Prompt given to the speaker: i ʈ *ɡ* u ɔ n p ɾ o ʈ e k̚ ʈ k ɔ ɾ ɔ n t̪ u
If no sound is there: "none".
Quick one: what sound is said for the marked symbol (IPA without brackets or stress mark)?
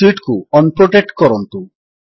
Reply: k